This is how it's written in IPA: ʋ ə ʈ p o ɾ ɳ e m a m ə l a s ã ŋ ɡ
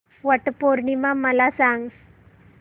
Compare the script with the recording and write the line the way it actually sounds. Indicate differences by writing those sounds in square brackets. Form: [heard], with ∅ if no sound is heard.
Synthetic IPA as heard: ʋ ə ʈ p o ɾ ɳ [i] m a m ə l a s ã ŋ ɡ